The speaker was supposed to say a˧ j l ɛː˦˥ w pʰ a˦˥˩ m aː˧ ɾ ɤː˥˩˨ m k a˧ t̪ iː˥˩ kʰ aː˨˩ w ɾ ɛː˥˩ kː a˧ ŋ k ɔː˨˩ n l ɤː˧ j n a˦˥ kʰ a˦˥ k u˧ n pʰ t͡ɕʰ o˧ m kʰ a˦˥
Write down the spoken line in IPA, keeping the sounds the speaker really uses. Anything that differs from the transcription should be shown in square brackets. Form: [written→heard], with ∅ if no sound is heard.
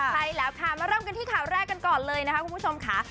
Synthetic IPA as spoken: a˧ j l ɛː˦˥ w [pʰ→kʰ] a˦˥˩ m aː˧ ɾ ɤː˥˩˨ m k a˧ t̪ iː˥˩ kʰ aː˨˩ w ɾ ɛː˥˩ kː a˧ [ŋ→n] k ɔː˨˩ n l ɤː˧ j n a˦˥ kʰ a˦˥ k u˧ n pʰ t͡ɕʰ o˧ m kʰ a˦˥